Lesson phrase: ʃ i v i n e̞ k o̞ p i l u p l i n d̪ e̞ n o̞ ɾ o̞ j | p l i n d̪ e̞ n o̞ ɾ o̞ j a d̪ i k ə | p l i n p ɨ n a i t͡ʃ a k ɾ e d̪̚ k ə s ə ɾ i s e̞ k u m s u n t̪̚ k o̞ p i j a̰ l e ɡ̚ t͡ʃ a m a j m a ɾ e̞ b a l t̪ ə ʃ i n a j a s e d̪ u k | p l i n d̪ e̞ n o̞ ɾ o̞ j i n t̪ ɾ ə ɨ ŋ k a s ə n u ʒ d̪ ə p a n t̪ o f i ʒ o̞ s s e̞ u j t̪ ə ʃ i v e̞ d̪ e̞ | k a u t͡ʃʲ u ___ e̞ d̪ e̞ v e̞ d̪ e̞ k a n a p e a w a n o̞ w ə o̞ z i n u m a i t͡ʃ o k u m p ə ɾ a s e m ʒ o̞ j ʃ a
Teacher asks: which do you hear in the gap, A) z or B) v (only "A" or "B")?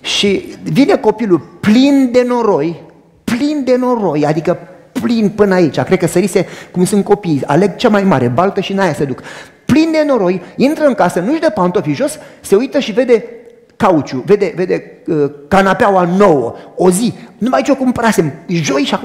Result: B